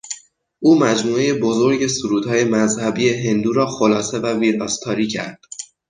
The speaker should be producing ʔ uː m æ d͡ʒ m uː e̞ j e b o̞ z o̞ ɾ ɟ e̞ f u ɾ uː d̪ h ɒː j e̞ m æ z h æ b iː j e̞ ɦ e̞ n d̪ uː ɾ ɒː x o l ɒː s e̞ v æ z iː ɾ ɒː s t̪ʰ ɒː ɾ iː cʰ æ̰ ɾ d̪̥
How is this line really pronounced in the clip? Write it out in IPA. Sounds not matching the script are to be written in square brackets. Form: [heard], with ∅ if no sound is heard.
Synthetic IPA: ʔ uː m æ d͡ʒ m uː e̞ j e b o̞ z o̞ ɾ ɟ e̞ [s] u ɾ uː d̪ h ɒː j e̞ m æ z h æ b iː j e̞ ɦ e̞ n d̪ uː ɾ ɒː x o l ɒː s e̞ v æ [v] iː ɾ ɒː s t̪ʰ ɒː ɾ iː cʰ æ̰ ɾ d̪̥